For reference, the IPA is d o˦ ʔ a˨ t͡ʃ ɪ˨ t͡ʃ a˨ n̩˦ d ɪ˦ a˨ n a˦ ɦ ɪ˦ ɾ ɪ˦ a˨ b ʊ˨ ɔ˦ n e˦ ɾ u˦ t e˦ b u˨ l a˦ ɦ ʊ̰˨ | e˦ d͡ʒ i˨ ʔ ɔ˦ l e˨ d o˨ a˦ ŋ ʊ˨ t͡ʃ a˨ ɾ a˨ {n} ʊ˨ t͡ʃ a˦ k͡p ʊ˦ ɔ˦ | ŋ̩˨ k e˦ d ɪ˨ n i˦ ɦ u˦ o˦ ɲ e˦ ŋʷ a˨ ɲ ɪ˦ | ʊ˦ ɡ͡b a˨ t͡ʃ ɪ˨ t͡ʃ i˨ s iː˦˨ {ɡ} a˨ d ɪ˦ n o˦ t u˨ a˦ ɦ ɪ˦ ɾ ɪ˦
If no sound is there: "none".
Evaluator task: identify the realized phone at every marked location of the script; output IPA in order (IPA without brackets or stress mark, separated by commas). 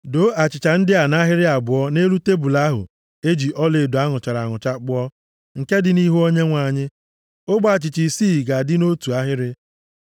ŋ, ɡ